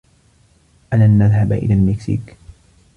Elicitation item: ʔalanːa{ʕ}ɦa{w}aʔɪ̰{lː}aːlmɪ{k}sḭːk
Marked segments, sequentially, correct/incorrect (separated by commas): incorrect, incorrect, incorrect, correct